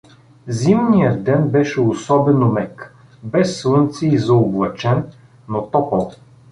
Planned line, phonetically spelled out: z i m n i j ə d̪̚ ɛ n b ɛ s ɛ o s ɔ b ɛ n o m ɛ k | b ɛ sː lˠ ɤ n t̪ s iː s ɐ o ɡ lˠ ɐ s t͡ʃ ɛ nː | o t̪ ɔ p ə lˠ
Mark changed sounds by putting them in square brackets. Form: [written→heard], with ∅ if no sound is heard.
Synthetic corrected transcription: z i m n i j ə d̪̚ ɛ n b ɛ [s→ʃ] ɛ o s ɔ b ɛ n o m ɛ k | b ɛ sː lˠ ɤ n t̪ s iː [s→z] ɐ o [ɡ→b] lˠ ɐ [s→∅] t͡ʃ ɛ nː | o t̪ ɔ p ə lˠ